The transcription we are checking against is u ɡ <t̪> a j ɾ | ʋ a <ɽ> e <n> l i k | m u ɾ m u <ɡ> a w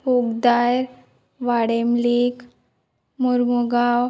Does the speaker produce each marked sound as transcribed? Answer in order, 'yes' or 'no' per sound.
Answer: no, yes, no, yes

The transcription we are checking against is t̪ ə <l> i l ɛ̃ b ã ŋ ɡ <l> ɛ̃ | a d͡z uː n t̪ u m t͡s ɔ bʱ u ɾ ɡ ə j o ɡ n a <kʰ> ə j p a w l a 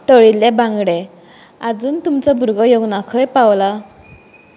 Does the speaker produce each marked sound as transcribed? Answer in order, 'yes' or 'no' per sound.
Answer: no, no, yes

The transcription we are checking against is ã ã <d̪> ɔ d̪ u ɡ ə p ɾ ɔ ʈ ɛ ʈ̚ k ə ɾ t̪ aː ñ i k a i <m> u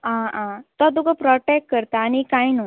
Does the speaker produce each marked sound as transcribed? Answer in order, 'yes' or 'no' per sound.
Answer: no, no

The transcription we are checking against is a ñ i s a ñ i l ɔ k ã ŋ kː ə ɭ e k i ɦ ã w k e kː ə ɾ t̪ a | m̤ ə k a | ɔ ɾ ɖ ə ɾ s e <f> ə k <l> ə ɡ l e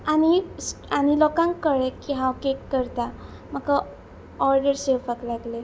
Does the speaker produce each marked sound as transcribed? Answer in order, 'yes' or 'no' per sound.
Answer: yes, yes

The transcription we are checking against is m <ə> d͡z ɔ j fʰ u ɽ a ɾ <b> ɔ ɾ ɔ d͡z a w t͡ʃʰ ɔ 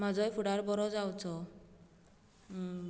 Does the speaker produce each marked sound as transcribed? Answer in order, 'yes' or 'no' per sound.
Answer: no, yes

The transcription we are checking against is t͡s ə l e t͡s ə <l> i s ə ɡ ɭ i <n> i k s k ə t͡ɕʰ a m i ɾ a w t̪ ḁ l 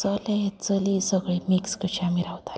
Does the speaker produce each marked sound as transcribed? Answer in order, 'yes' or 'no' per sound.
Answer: yes, no

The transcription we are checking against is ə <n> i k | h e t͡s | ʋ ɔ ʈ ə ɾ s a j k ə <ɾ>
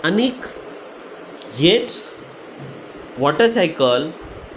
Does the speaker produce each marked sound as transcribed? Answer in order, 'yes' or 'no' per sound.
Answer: yes, no

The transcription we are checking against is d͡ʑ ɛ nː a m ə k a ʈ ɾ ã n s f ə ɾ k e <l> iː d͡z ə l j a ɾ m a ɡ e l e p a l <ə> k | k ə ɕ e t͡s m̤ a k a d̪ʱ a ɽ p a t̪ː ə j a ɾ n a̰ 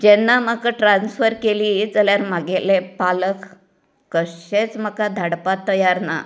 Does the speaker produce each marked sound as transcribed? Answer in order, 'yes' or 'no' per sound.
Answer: yes, yes

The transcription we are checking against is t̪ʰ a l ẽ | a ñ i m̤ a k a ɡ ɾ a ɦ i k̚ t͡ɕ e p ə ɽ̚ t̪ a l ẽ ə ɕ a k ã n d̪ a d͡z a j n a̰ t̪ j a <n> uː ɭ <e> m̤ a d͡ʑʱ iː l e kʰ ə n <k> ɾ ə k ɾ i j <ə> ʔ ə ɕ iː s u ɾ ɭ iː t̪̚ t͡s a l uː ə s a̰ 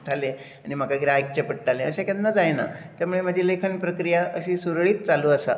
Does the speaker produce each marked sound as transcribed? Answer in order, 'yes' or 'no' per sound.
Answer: no, yes, no, no

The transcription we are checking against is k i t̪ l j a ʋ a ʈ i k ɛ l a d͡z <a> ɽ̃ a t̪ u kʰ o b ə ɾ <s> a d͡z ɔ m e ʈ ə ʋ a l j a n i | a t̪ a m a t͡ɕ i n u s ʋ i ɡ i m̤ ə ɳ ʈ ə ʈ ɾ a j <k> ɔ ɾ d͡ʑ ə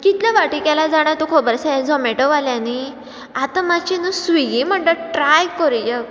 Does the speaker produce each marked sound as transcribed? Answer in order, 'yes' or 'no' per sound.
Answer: yes, yes, yes

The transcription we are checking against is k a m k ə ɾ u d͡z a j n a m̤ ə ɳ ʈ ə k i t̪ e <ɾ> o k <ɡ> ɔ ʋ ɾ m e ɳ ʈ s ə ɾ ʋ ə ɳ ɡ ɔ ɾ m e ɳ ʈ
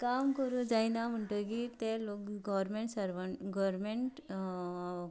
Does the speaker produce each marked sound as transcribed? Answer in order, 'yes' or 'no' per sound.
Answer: no, yes

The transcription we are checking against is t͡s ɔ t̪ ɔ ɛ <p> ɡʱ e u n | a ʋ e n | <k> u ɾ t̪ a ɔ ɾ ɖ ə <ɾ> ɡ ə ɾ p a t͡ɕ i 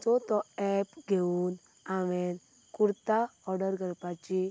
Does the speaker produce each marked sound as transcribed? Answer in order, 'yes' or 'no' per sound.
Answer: yes, yes, yes

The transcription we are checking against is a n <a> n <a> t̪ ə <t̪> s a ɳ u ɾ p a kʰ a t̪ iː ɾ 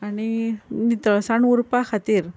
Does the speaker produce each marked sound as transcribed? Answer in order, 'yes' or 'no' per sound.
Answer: no, no, no

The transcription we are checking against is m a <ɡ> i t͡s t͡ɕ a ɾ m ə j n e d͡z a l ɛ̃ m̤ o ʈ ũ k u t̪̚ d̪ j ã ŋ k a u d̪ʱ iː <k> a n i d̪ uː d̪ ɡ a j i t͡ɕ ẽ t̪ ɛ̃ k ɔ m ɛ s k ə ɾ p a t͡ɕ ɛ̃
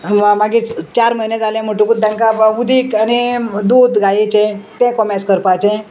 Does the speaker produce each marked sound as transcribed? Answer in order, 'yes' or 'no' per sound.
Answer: yes, yes

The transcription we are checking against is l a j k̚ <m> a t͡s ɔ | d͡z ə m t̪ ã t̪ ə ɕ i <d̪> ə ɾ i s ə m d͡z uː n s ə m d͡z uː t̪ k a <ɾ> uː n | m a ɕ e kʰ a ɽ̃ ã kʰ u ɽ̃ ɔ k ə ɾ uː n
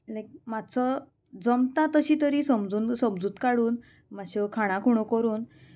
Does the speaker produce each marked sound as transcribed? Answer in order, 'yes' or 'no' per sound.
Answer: yes, no, no

